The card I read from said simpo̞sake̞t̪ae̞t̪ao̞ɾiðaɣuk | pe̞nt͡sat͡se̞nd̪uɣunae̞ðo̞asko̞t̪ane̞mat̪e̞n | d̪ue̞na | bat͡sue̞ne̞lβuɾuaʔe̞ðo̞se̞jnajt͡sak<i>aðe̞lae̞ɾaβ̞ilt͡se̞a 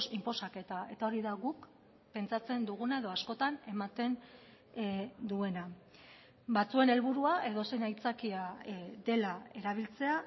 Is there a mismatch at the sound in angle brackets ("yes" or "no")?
no